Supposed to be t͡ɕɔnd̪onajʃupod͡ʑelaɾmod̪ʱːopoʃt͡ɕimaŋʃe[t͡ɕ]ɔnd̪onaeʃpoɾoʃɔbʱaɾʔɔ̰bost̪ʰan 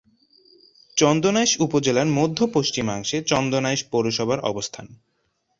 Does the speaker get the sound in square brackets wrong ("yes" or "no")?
no